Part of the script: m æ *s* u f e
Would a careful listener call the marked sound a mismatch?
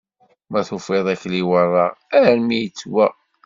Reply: yes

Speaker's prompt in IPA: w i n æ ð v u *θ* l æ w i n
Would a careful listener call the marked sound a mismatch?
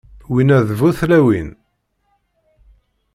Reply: no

